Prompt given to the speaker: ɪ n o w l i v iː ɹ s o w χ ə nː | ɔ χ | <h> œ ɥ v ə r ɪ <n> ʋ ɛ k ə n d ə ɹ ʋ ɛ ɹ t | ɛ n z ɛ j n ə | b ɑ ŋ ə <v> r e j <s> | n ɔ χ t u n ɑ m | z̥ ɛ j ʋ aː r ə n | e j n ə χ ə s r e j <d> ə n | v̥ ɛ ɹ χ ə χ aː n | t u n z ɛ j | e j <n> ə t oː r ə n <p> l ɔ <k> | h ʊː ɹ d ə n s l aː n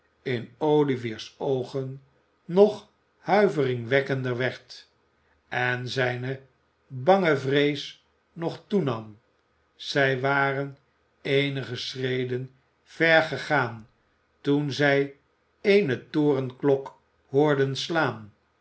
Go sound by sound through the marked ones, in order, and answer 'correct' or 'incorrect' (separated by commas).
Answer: correct, incorrect, correct, correct, correct, correct, incorrect, correct